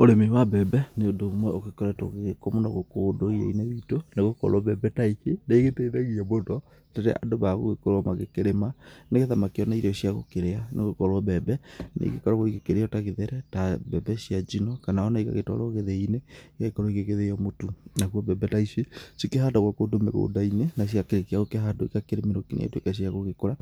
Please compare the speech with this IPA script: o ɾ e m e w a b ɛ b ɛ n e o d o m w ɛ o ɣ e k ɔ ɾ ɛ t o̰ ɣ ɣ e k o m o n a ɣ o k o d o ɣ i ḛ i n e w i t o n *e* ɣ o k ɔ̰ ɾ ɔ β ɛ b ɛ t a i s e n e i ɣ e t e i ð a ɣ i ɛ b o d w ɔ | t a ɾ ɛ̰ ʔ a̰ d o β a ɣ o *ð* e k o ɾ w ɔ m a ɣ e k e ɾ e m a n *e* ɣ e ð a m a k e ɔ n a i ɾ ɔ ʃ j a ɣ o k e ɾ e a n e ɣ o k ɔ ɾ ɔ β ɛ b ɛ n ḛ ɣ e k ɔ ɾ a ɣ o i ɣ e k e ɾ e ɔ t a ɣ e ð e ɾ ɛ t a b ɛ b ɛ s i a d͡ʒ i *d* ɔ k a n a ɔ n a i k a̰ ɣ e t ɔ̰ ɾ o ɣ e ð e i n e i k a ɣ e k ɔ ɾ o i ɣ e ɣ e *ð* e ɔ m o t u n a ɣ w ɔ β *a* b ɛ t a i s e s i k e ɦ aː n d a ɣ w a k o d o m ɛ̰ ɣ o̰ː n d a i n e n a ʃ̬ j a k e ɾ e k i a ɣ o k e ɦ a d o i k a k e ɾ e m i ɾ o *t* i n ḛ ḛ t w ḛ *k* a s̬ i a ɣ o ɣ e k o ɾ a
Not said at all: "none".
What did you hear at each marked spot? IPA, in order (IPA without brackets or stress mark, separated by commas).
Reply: e, ɣ, e, n, ð, ɛ, k, k